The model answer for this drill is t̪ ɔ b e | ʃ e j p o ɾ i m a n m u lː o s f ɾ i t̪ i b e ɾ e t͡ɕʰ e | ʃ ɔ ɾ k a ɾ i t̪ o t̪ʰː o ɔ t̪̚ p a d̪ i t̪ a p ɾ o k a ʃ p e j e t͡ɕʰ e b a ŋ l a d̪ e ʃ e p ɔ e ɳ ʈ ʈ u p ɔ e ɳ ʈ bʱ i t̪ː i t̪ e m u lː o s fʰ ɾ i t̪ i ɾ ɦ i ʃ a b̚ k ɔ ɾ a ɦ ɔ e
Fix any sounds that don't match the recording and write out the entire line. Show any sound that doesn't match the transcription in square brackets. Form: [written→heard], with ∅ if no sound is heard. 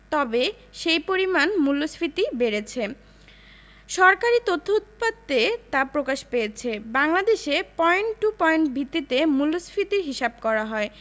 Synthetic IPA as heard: t̪ ɔ b e | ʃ e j p o ɾ i m a n m u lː o s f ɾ i t̪ i b e ɾ e t͡ɕʰ e | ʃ ɔ ɾ k a ɾ i t̪ o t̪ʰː o [ɔ→u] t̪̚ p a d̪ [i→e] t̪ a p ɾ o k a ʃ p e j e t͡ɕʰ e b a ŋ l a d̪ e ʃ e p ɔ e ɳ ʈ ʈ u p ɔ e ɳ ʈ bʱ i t̪ː i t̪ e m u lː o s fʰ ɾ i t̪ i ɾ ɦ i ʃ a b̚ k ɔ ɾ a ɦ ɔ e

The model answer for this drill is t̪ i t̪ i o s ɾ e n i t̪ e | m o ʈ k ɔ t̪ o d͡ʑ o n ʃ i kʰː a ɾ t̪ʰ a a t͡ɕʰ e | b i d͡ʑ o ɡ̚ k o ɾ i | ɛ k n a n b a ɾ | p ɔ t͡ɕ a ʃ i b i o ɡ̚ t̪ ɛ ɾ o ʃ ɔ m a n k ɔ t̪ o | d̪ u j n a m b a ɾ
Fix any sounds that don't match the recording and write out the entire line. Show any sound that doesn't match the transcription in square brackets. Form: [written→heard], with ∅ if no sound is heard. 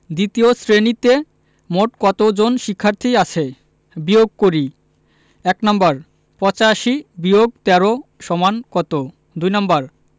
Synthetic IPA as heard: [t̪→d̪] i t̪ i o s ɾ e n i t̪ e | m o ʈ k ɔ t̪ o d͡ʑ o n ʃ i kʰː a ɾ t̪ʰ [a→i] a t͡ɕʰ e | b i [d͡ʑ→∅] o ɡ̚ k o ɾ i | ɛ k n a [n→m] b a ɾ | p ɔ t͡ɕ a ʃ i b i o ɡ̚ t̪ ɛ ɾ o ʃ ɔ m a n k ɔ t̪ o | d̪ u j n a m b a ɾ

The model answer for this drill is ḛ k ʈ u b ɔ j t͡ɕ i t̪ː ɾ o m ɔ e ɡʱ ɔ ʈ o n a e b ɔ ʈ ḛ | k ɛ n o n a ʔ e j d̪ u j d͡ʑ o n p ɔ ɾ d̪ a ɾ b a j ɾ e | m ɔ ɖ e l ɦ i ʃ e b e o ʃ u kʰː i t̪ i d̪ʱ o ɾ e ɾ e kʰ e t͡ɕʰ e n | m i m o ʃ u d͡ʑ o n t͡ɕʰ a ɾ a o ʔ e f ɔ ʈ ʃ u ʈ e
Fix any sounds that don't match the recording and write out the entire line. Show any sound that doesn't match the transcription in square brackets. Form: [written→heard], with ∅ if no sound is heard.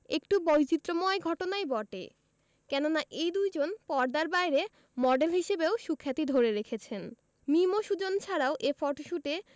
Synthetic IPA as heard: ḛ k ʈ u b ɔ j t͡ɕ i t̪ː ɾ o m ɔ e ɡʱ ɔ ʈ o n a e b ɔ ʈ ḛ | k ɛ n o n a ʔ e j d̪ u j d͡ʑ o n p ɔ ɾ d̪ a ɾ b a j ɾ e | m ɔ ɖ e l ɦ i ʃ e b e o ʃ u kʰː [i→a] t̪ i d̪ʱ o ɾ e ɾ e kʰ e t͡ɕʰ e n | m i m o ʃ u d͡ʑ o n t͡ɕʰ a ɾ a o ʔ e f ɔ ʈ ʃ u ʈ e

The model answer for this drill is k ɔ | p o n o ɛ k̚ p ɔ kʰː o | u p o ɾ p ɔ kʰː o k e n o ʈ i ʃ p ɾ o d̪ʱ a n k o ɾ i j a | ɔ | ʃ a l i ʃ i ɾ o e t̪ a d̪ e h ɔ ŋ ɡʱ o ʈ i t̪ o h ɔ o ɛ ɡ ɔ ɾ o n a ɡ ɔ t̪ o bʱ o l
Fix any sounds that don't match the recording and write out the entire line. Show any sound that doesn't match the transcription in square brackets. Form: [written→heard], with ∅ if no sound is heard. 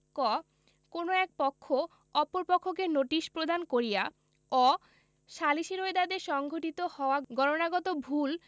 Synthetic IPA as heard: k ɔ | [p→k] o n o ɛ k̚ p ɔ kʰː o | [u→ɔ] p o ɾ p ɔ kʰː o k e n o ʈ i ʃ p ɾ o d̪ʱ a n k o ɾ i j a | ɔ | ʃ a l i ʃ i ɾ o e [t̪→d̪] a d̪ e [h→ʃ] ɔ ŋ ɡʱ o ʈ i t̪ o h ɔ o [ɛ→a] ɡ ɔ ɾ o n a ɡ ɔ t̪ o bʱ [o→u] l

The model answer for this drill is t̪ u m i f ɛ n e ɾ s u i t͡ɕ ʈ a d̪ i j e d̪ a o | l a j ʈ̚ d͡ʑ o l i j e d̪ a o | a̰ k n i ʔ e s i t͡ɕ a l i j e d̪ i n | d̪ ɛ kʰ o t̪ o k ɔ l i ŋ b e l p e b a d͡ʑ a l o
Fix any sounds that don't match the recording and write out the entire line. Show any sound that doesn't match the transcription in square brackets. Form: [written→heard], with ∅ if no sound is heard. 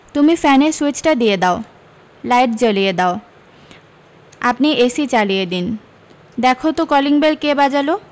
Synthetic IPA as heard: t̪ u m i f ɛ n e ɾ s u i t͡ɕ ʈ a d̪ i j e d̪ a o | l a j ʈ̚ d͡ʑ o l i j e d̪ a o | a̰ [k→p] n i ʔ e s i t͡ɕ a l i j e d̪ i n | d̪ ɛ kʰ o t̪ o k ɔ l i ŋ b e l [p→k] e b a d͡ʑ a l o

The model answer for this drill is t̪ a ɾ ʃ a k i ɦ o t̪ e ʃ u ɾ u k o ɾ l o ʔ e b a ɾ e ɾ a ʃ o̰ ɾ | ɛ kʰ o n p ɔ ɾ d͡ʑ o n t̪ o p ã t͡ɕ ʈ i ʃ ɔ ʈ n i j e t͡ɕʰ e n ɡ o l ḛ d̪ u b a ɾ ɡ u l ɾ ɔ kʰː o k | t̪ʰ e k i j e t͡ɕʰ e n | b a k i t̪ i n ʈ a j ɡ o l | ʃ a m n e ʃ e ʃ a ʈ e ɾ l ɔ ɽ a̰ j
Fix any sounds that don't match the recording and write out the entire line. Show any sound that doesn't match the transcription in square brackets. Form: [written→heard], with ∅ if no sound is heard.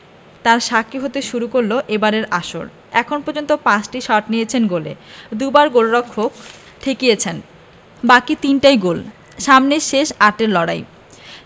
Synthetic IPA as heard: t̪ a ɾ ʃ a k i ɦ o t̪ e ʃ u ɾ u k o ɾ l o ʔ e b a ɾ e ɾ a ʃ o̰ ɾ | ɛ kʰ o n p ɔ ɾ d͡ʑ o n t̪ o p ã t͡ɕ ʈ i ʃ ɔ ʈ n i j e t͡ɕʰ e n ɡ o l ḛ d̪ u b a ɾ ɡ [u→o] l ɾ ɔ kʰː o k | t̪ʰ e k i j e t͡ɕʰ e n | b a k i t̪ i n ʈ a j ɡ o l | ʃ a m n e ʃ e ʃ a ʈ e ɾ l ɔ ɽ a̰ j

